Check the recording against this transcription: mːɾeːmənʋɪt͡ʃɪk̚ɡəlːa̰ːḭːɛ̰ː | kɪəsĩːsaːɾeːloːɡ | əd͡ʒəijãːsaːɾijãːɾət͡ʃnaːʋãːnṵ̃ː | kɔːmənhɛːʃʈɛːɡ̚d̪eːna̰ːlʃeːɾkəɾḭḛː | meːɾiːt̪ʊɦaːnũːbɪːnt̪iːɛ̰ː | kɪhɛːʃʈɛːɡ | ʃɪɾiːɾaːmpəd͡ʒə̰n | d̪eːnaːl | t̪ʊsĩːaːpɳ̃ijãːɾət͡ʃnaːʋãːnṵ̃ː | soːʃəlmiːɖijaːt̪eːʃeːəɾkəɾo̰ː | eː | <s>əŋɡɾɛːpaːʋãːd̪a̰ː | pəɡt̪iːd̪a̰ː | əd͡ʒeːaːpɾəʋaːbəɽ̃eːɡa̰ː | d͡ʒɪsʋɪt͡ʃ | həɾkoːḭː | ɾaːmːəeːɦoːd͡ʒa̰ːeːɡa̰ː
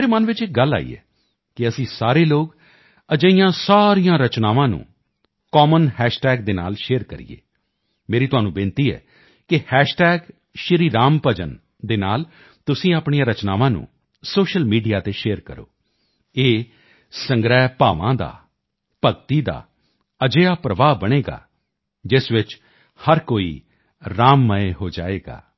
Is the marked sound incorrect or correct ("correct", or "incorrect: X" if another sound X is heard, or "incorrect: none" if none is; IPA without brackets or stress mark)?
correct